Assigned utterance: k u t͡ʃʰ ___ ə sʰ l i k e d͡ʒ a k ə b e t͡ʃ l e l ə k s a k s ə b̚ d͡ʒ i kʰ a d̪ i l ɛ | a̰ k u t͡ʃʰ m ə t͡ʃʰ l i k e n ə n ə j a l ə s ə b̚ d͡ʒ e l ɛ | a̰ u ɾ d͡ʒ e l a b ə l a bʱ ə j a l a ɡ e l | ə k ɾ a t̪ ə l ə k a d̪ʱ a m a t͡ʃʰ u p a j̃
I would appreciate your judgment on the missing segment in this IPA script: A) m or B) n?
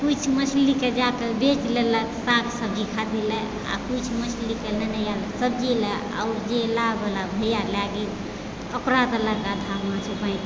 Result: A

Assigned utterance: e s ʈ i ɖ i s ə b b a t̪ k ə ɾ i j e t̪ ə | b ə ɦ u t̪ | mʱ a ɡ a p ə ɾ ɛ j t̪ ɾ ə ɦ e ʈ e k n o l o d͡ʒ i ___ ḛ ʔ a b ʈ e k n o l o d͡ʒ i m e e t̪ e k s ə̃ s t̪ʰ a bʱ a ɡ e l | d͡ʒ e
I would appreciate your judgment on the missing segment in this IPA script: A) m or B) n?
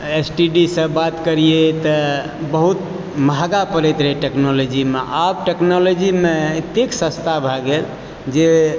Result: A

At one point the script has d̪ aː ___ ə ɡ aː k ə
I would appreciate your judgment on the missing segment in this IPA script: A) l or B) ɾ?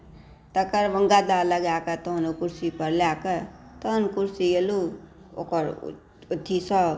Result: A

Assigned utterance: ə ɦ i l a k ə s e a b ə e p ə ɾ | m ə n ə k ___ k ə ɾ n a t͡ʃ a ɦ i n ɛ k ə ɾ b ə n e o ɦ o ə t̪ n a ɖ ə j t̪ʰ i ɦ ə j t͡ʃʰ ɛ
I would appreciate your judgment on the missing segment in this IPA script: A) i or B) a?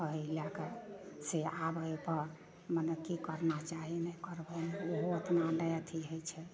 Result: A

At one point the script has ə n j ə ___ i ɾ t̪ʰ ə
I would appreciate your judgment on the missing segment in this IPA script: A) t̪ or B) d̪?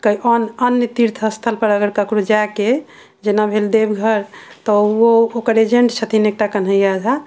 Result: A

